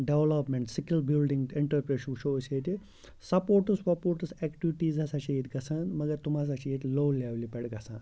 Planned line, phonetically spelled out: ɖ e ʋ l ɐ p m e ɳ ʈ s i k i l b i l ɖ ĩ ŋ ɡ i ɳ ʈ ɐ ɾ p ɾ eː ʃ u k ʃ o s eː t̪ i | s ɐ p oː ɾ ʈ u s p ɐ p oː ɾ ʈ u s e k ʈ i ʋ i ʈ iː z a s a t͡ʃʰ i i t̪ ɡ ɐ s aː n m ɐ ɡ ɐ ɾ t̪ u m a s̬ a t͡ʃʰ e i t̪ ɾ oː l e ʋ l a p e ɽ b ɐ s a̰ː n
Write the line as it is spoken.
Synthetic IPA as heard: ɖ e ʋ l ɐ p m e ɳ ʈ s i k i l b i l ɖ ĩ ŋ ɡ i ɳ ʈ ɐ ɾ p ɾ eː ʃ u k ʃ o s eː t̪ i | s ɐ p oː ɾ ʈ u s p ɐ p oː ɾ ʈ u s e k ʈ i ʋ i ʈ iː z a s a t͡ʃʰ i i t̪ ɡ ɐ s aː n m ɐ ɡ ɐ ɾ t̪ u m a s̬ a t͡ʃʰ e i t̪ l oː l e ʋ l i p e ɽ ɡ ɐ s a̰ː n

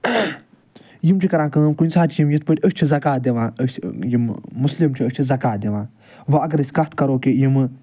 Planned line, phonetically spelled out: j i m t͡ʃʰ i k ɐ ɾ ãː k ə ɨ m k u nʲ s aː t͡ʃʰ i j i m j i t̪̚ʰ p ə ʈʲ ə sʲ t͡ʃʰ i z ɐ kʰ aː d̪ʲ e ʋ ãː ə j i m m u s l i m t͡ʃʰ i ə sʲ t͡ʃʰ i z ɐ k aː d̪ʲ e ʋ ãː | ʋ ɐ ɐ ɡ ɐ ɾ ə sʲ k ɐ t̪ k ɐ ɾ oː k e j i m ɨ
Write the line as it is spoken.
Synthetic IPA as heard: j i m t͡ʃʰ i k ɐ ɾ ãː k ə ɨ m k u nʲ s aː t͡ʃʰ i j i m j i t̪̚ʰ p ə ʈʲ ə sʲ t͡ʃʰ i z ɐ k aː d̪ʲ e ʋ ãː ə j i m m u s l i m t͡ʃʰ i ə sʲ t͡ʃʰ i z ɐ k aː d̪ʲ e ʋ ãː | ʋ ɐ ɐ ɡ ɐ ɾ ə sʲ k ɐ t̪ k ɐ ɾ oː k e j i m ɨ

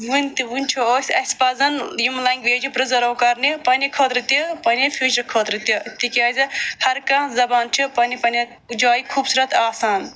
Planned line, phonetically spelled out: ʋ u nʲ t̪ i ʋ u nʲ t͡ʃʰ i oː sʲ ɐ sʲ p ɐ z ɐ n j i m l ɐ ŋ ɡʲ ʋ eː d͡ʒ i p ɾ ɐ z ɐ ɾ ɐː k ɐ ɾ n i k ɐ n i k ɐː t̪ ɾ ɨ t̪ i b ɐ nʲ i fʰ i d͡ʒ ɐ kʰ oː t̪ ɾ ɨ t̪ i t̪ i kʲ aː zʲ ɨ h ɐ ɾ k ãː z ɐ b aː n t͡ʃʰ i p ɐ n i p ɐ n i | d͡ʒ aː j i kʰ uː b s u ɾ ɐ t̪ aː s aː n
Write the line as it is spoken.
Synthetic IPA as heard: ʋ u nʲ t̪ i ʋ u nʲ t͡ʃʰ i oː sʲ ɐ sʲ p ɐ z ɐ n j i m l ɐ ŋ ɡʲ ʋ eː d͡ʒ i p ɾ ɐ z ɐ ɾ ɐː k ɐ ɾ n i p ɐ n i kʰ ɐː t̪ ɾ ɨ t̪ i p ɐ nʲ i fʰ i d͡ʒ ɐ kʰ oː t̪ ɾ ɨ t̪ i t̪ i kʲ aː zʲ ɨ h ɐ ɾ k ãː z ɐ b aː n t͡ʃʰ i p ɐ n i p ɐ n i | d͡ʒ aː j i kʰ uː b s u ɾ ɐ t̪ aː s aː n

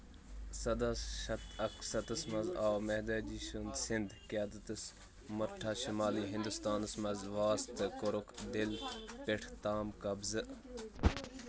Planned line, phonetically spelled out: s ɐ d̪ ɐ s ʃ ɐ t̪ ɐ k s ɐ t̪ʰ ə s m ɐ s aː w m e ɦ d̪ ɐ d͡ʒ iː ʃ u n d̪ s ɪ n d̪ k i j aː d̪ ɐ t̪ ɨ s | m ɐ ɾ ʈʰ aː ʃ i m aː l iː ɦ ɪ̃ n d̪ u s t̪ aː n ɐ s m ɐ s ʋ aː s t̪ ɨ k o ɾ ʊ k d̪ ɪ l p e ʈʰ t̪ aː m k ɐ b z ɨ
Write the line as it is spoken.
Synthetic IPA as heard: s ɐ d̪ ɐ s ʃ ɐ t̪ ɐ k s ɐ t̪ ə s m ɐ z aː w m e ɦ d̪ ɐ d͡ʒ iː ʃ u n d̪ s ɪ n d̪ k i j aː d̪ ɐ t̪ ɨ s | m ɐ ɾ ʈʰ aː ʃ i m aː l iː ɦ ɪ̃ n d̪ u s t̪ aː n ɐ s m ɐ z ʋ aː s t̪ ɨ k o ɾ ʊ k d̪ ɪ l p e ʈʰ t̪ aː m k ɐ b z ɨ

